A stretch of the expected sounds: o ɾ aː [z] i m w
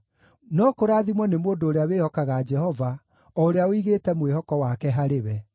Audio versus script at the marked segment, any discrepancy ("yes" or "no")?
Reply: yes